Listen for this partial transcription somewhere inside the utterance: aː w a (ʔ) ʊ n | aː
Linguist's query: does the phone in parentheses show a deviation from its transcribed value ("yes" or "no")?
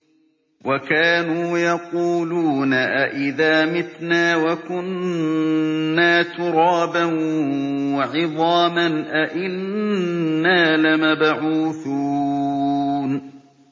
yes